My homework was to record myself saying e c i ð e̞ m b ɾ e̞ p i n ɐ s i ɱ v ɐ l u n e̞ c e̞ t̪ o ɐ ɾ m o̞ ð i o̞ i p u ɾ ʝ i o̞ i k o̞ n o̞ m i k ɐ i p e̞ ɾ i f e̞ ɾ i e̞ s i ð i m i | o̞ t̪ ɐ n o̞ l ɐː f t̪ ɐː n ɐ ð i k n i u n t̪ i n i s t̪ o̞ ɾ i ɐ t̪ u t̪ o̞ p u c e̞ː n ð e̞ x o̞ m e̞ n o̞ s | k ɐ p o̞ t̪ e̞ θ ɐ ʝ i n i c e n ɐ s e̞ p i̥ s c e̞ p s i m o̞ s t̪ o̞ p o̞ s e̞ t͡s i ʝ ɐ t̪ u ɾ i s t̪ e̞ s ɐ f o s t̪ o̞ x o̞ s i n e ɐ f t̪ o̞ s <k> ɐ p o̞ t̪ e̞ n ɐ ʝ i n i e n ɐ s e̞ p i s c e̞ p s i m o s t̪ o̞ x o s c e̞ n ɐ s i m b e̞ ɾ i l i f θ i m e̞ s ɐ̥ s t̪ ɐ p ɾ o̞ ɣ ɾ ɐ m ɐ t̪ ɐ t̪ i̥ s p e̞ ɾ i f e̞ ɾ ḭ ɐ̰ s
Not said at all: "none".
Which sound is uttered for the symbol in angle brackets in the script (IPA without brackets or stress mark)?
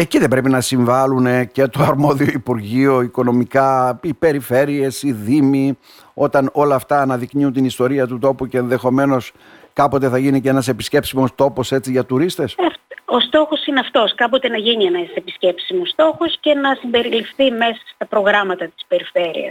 k